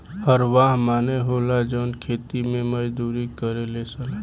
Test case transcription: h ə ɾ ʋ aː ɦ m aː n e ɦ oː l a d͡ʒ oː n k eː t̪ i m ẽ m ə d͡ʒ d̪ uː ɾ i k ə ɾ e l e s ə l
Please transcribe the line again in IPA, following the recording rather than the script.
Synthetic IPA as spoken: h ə ɾ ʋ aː ɦ m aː n e ɦ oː l a d͡ʒ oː n kʰ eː t̪ i m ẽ m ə d͡ʒ d̪ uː ɾ i k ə ɾ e l e s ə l